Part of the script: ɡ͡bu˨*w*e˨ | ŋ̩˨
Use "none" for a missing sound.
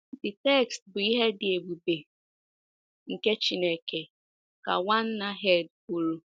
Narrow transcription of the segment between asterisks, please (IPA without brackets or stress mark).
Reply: b